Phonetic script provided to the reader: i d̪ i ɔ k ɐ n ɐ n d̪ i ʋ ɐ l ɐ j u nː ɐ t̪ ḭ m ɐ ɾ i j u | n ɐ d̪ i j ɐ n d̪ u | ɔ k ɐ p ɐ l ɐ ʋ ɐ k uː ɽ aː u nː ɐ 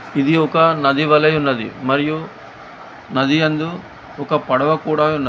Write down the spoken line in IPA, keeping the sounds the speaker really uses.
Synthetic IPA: i d̪ i ɔ k ɐ n ɐ d̪ i ʋ ɐ l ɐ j u nː ɐ d̪ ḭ m ɐ ɾ i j u | n ɐ d̪ i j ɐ n d̪ u | ɔ k ɐ p ɐ ɽ ɐ ʋ ɐ k uː ɽ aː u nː ɐ

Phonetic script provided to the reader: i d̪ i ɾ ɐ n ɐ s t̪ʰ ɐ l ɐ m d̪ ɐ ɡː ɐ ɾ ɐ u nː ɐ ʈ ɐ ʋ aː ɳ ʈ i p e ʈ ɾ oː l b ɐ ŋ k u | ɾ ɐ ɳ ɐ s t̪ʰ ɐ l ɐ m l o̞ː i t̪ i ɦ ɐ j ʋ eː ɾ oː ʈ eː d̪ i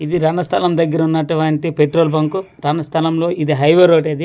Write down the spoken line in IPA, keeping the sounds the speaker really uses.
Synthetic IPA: i d̪ i ɾ ɐ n ɐ s t̪ʰ ɐ l ɐ m d̪ ɐ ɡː ɐ ɾ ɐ u nː ɐ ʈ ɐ ʋ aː ɳ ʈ i p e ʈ ɾ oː l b ɐ ŋ k u | ɾ ɐ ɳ ɐ s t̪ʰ ɐ l ɐ m l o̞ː i d̪ i ɦ ɐ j ʋ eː ɾ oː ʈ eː d̪ i

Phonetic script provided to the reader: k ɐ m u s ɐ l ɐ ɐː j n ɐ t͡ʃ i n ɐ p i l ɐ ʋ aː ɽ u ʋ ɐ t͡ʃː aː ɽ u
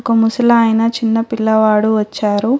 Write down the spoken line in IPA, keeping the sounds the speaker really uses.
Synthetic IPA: k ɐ m u s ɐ l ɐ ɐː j n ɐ t͡ʃ i nː ɐ p i lː ɐ ʋ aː ɽ u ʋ ɐ t͡ʃː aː ɾ u

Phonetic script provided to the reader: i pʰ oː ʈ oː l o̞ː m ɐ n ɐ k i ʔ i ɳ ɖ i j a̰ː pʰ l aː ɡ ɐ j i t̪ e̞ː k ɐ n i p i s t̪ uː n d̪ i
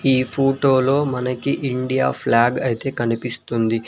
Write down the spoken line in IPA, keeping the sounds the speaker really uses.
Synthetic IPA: iː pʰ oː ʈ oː l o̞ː m ɐ n ɐ k i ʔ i ɳ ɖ i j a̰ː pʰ l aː ɡ ɐ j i t̪ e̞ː k ɐ n i p i s t̪ u n d̪ i

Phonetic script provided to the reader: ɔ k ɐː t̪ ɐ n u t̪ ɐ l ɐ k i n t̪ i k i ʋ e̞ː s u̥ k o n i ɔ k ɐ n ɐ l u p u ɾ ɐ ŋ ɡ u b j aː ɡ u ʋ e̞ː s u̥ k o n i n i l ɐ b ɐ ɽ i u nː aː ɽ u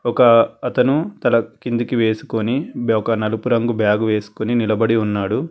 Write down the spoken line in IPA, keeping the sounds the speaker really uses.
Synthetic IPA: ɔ k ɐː t̪ ɐ n u t̪ ɐ l ɐ k i n d̪ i k i ʋ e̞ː s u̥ k o n i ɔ k ɐ n ɐ l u p u ɾ ɐ ŋ ɡ u b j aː ɡ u ʋ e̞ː s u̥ k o n i n i l ɐ b ɐ ɽ i u nː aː ɽ u

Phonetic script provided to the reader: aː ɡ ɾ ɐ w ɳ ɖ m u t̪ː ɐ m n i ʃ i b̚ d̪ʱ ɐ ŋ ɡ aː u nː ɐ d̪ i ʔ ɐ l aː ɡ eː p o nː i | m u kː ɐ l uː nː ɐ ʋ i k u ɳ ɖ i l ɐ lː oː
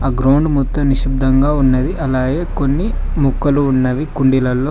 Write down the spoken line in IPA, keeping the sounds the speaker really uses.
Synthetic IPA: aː ɡ ɾ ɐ w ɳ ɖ m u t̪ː ɐ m n i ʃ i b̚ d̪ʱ ɐ ŋ ɡ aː u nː ɐ d̪ i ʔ ɐ l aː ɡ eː k o nː i | m u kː ɐ l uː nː ɐ ʋ i k u ɳ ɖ i l ɐ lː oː

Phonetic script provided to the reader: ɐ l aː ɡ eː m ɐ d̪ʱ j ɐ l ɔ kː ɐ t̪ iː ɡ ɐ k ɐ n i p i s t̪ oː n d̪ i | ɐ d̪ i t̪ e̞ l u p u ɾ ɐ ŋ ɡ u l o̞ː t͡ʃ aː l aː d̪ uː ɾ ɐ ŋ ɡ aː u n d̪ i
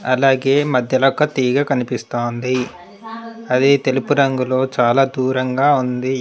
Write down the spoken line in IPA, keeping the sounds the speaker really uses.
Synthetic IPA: ɐ l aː ɡ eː m ɐ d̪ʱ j ɐ l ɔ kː ɐ t̪ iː ɡ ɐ k ɐ n i p i s t̪ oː n d̪ i | ɐ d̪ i t̪ e̞ l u p u ɾ ɐ ŋ ɡ u l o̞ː t͡ʃ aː l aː d̪ uː ɾ ɐ ŋ ɡ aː u n d̪ i

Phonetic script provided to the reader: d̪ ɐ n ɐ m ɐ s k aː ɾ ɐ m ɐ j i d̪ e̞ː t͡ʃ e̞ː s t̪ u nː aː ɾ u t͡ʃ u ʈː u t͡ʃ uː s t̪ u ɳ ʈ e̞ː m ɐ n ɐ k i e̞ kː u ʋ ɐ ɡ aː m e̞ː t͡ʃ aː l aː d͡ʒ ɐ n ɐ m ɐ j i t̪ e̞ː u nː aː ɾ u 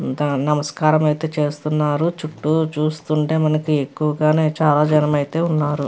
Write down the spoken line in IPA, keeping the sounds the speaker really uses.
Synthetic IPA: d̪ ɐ n ɐ m ɐ s k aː ɾ ɐ m ɐ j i t̪ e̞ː t͡ʃ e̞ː s t̪ u nː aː ɾ u t͡ʃ u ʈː u t͡ʃ uː s t̪ u ɳ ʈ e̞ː m ɐ n ɐ k i e̞ kː u ʋ ɐ ɡ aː n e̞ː t͡ʃ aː l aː d͡ʒ ɐ n ɐ m ɐ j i t̪ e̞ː u nː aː ɾ u

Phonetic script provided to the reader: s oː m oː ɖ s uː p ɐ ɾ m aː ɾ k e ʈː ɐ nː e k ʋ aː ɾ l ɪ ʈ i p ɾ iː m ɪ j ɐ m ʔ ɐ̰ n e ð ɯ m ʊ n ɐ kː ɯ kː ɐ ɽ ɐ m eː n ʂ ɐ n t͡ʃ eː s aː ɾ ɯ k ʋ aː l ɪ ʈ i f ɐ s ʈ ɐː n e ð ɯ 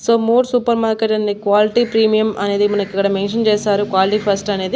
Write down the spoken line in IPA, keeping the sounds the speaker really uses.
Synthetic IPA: s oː m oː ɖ s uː p ɐ ɾ m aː ɾ k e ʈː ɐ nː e k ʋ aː l ɪ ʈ i p ɾ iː m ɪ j ɐ m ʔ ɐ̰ n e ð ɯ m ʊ n ɐ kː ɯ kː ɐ ɽ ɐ m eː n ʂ ɐ n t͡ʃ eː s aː ɾ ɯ k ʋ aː l ɪ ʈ i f ɐ s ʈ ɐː n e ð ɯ

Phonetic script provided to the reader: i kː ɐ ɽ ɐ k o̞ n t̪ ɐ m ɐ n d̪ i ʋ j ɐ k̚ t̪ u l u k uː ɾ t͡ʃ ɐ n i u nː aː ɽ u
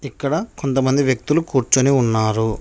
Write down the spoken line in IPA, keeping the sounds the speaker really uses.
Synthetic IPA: i kː ɐ ɽ ɐ k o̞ n t̪ ɐ m ɐ n d̪ i ʋ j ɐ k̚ t̪ u l u k uː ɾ t͡ʃ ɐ n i u nː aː ɾ u

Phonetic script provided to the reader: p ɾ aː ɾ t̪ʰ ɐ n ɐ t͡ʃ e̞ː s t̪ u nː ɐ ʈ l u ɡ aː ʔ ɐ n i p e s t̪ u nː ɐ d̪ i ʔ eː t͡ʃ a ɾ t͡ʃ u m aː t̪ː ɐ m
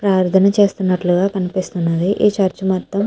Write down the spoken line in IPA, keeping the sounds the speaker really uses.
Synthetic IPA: p ɾ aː ɾ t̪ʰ ɐ n ɐ t͡ʃ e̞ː s t̪ u nː ɐ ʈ l u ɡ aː k ɐ n i p i s t̪ u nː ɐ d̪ i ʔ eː t͡ʃ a ɾ t͡ʃ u m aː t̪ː ɐ m

